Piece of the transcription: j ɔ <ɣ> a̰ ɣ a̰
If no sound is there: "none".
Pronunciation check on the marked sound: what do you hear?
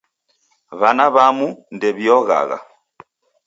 ɣ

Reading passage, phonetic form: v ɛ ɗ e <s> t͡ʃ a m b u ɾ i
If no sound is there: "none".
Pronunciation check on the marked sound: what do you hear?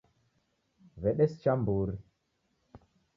s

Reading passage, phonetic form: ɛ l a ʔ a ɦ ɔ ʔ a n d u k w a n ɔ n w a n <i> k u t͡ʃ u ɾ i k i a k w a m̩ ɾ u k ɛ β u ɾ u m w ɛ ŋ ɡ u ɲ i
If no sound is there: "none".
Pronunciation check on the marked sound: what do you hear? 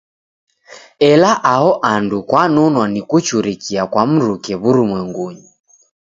i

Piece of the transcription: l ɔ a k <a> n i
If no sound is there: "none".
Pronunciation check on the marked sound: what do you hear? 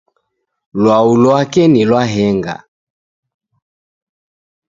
ɛ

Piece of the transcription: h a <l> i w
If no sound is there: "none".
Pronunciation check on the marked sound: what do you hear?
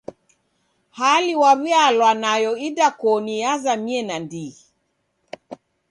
l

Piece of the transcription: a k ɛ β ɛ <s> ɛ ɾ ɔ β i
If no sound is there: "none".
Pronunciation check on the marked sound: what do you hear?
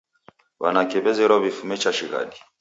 z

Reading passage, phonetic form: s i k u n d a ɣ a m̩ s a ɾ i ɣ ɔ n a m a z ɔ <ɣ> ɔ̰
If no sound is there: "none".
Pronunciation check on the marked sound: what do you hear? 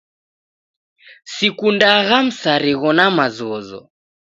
z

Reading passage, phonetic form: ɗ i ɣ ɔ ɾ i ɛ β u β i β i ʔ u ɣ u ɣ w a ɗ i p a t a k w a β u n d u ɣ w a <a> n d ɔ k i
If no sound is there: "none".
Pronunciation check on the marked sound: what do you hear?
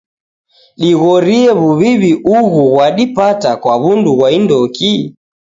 i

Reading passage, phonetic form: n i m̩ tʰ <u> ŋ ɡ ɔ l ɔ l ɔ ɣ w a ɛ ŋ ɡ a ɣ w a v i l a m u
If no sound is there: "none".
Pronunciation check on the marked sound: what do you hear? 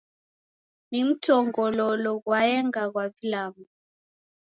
ɔ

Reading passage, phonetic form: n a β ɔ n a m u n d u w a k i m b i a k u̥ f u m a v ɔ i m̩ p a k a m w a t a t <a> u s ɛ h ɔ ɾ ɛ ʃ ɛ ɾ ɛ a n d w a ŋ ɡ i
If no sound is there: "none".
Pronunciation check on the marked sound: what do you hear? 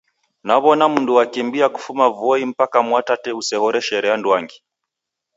ɛ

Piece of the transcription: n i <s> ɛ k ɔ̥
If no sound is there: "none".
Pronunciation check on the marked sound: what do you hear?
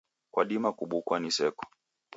s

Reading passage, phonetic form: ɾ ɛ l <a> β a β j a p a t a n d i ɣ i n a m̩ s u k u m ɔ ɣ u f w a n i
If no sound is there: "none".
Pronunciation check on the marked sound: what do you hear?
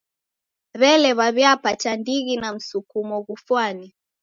ɛ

